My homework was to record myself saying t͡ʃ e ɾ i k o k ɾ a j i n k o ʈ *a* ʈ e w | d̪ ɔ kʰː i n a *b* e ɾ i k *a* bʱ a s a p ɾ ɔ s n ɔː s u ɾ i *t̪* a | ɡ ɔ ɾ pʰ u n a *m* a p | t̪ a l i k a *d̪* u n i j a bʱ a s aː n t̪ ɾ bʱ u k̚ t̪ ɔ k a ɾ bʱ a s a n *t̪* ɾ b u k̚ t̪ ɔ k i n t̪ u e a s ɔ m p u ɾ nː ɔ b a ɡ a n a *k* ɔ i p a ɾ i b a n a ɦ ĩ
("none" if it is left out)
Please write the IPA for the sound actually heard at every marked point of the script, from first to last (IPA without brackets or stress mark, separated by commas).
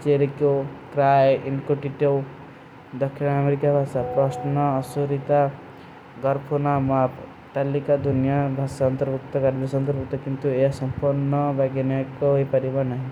i, m, a, t̪, m, d̪, t̪, k